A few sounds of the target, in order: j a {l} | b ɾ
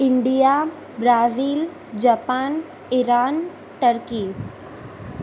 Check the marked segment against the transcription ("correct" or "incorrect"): incorrect